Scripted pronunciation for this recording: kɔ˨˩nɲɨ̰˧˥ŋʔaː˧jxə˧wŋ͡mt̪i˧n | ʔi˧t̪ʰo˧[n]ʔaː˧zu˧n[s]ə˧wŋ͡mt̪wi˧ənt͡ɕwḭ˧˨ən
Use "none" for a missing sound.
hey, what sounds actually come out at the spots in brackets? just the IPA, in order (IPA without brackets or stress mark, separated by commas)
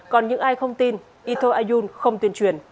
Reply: none, x